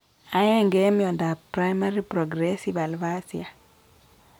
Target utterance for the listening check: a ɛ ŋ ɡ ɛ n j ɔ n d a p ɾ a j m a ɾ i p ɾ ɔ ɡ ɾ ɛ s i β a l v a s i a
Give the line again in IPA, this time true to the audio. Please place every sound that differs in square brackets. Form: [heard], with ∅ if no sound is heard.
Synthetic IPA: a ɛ ŋ ɡ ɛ [m] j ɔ n d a p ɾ a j m a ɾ i p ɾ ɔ ɡ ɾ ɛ s i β a l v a s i a